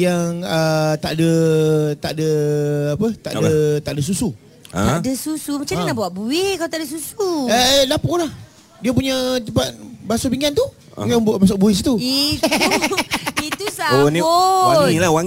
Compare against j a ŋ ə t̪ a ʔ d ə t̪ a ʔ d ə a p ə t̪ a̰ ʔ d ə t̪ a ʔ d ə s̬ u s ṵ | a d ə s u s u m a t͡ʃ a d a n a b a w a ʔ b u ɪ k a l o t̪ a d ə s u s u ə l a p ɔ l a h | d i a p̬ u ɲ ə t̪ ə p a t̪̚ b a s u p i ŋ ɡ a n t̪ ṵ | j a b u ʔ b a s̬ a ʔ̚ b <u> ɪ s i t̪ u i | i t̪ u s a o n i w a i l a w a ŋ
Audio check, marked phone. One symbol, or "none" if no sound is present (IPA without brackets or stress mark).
u